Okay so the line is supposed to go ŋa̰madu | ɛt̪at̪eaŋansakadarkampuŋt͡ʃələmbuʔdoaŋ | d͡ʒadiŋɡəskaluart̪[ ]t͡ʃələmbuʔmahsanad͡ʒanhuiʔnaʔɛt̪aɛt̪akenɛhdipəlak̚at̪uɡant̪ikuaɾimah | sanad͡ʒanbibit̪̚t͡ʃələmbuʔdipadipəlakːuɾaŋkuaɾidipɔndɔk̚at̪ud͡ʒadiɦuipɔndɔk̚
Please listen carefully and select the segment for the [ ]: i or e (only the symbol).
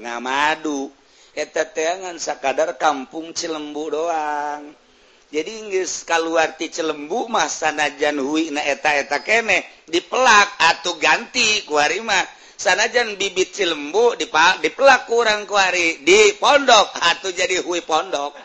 i